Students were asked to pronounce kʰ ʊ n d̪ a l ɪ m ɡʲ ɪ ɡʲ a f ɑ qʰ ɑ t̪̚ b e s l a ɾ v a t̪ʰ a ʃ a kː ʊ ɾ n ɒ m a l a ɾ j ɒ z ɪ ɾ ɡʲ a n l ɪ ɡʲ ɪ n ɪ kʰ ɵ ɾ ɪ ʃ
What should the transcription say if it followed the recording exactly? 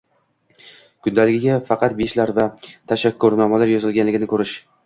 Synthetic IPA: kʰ ʊ n d̪ a l ɪ ɡʲ ɪ ɡʲ a f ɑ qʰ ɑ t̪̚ b e ʃ l a ɾ v a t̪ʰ a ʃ a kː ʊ ɾ n ɒ m a l a ɾ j ɒ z ɪ l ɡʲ a n l ɪ ɡʲ ɪ n ɪ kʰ ɵ ɾ ɪ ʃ